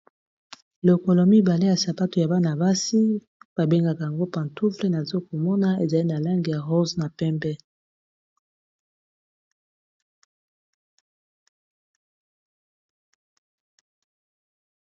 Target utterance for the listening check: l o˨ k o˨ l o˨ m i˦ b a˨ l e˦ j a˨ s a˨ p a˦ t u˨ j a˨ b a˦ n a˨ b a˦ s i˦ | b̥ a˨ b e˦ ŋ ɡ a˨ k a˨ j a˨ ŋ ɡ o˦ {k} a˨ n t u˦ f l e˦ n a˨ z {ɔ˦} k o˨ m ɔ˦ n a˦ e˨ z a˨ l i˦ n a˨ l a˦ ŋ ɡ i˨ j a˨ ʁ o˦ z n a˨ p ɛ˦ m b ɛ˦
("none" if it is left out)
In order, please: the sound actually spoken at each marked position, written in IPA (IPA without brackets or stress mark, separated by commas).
p, o˦